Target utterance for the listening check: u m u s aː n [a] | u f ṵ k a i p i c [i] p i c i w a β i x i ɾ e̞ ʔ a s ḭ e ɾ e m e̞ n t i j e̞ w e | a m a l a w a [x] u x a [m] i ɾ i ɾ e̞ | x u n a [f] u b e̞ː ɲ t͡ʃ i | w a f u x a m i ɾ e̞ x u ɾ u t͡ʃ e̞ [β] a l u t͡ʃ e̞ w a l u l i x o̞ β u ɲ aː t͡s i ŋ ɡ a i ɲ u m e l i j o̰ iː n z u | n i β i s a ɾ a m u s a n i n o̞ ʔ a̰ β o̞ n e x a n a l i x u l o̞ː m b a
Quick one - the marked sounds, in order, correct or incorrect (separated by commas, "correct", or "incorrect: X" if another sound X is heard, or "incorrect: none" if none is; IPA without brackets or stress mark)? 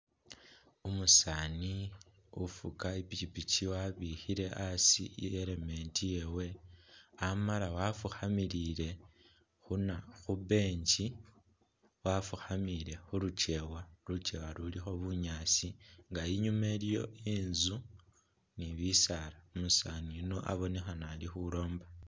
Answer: incorrect: i, correct, incorrect: f, correct, incorrect: x, incorrect: w